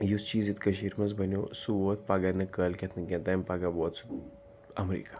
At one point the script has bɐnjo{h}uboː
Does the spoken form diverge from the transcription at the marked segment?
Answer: yes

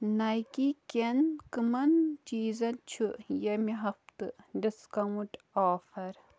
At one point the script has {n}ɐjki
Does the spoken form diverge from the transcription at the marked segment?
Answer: no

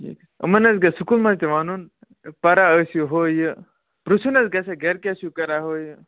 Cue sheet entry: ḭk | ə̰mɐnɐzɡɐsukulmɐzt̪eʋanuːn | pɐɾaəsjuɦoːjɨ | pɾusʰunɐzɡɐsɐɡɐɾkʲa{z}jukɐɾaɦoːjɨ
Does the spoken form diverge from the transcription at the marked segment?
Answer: yes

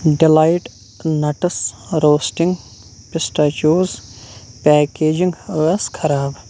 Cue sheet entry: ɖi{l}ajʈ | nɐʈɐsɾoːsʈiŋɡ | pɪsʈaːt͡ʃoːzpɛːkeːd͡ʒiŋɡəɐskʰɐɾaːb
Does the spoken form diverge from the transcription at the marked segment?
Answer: no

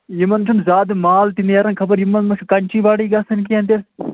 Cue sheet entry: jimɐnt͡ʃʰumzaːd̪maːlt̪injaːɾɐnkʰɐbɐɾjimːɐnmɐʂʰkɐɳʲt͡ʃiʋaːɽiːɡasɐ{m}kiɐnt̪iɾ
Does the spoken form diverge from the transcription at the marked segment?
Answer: yes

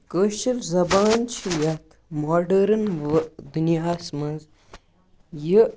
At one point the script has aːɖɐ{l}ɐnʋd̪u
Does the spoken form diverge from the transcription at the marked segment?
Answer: yes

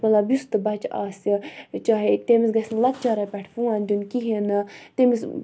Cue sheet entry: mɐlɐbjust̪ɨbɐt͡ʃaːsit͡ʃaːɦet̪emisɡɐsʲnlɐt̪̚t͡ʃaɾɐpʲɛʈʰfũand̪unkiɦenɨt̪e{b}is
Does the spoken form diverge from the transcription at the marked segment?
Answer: yes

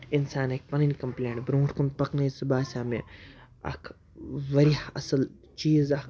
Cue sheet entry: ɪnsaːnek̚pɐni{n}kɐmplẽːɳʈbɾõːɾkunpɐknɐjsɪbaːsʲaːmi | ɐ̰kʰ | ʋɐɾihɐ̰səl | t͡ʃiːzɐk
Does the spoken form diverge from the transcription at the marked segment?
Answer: no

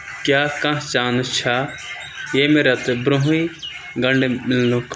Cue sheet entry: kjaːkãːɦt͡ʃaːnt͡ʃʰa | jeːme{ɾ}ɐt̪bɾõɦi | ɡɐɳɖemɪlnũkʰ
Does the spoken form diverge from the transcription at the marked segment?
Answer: no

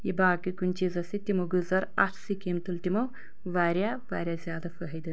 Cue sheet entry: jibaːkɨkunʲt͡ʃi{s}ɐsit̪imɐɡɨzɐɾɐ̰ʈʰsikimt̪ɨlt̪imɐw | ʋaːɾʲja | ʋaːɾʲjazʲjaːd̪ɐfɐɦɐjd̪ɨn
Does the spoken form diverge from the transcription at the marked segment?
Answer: yes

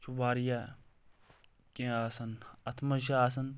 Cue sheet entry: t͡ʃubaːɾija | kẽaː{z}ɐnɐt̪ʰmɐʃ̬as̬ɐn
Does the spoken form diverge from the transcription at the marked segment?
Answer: yes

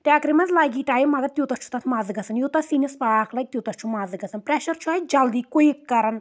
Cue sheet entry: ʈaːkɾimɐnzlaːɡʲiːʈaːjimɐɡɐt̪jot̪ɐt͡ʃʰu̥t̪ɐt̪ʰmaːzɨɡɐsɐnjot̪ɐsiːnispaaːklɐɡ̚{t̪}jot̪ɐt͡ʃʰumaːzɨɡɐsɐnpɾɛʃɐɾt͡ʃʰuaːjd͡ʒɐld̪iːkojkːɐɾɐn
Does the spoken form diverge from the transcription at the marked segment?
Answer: no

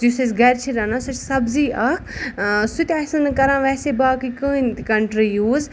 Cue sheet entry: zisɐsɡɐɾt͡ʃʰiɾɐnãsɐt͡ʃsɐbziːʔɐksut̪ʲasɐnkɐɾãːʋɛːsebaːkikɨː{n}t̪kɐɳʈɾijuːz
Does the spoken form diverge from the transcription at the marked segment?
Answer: no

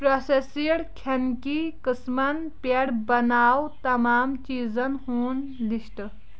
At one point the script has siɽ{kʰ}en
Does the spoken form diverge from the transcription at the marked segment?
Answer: no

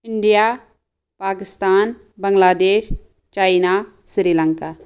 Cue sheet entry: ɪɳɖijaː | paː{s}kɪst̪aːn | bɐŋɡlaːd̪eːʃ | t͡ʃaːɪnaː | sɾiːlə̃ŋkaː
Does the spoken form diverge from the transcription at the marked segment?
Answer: yes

